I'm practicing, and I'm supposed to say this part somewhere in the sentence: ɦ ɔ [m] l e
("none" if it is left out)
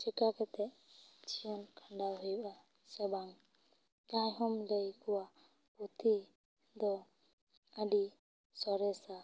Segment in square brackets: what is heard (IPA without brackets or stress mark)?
m